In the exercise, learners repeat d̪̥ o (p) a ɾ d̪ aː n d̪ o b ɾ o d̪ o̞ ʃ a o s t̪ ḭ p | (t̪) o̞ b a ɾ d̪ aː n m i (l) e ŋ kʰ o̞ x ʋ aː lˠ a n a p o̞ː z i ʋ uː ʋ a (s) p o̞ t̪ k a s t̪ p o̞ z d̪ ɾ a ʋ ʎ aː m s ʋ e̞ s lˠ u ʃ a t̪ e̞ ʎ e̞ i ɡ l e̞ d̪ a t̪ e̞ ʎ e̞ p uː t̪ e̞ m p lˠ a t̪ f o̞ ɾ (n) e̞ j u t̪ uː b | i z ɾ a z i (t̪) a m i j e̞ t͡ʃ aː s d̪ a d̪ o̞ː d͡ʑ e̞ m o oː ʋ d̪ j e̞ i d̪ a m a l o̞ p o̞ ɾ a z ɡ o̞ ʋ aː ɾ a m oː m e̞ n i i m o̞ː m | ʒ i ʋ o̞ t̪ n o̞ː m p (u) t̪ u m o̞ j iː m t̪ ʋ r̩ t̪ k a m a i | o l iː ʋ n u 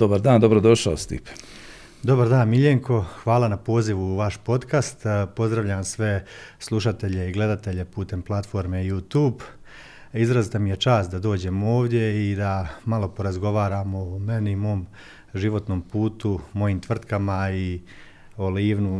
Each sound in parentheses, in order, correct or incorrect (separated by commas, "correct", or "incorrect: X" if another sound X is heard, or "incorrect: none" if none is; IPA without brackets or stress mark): incorrect: b, incorrect: d̪, incorrect: ʎ, incorrect: ʃ, incorrect: m, correct, incorrect: uː